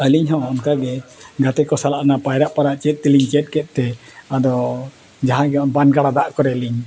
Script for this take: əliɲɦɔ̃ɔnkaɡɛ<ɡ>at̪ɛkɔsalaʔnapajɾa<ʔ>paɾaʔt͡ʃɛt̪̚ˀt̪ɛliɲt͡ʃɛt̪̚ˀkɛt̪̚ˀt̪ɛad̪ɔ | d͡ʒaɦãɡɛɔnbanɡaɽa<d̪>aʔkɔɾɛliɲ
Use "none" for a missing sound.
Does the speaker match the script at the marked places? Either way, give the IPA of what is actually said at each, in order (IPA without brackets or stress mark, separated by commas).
ɡ, ʔ, d̪